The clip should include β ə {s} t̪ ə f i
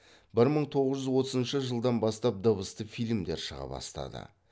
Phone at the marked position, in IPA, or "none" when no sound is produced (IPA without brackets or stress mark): s